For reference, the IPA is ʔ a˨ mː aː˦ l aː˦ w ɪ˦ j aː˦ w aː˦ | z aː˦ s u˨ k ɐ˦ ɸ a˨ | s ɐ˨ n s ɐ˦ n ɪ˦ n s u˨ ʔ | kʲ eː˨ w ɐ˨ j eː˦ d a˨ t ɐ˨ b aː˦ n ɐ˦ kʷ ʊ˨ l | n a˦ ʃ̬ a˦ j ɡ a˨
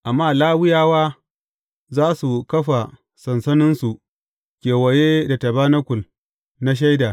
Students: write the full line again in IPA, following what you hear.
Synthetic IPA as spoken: ʔ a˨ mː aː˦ l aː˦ w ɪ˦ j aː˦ w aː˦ | z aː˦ s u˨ k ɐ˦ ɸ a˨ | s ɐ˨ n s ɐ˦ n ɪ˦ n s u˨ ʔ | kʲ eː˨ w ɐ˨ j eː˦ d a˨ t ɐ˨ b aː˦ n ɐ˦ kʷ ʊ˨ l | n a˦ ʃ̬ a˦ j d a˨